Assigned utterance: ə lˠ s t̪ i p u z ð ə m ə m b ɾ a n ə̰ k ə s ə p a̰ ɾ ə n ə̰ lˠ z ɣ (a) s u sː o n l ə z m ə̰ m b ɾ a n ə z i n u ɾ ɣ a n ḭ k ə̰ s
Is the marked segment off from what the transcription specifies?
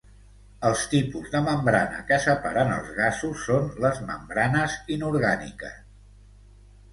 no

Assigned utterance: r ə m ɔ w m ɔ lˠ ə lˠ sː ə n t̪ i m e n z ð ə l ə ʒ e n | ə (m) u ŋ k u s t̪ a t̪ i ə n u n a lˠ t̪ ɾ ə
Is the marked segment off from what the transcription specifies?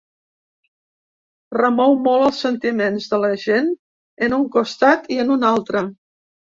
yes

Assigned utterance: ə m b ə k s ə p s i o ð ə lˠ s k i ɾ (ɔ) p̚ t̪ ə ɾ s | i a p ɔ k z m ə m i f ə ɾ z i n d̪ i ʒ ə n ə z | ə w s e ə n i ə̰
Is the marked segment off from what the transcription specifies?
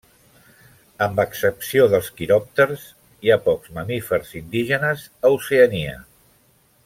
no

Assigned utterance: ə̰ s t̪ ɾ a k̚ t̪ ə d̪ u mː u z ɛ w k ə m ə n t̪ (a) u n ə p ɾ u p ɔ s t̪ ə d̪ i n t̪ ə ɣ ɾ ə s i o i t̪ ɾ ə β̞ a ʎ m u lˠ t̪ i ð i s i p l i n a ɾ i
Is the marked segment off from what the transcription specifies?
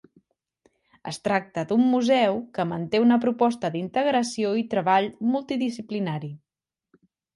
yes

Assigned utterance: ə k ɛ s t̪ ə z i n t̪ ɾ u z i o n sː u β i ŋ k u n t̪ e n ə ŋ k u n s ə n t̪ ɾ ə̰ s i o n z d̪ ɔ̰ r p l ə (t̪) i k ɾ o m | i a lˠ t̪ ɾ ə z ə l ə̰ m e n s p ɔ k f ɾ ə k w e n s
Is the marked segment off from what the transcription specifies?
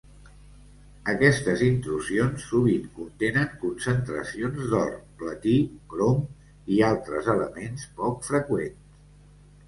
no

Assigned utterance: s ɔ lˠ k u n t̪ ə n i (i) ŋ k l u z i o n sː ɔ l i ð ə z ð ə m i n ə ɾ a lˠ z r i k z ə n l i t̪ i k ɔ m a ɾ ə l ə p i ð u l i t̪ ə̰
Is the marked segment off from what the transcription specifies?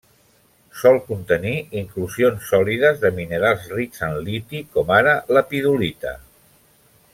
no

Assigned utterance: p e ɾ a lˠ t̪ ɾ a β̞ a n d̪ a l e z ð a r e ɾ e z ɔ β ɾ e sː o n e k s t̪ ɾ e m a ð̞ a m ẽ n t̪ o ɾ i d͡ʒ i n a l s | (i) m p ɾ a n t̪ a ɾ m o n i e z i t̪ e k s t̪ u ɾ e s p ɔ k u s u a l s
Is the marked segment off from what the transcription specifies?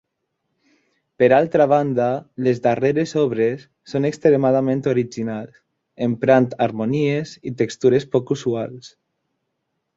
yes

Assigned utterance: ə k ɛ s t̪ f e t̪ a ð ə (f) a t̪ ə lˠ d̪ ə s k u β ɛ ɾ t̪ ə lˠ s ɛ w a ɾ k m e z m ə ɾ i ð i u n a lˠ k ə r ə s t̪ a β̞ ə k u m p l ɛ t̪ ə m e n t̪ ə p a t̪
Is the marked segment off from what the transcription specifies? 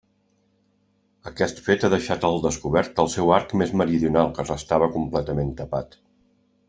yes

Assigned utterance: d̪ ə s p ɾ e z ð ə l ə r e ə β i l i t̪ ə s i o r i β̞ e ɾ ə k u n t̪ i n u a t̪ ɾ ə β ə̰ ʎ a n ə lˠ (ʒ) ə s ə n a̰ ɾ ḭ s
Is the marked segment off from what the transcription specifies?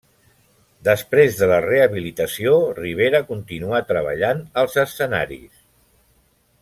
yes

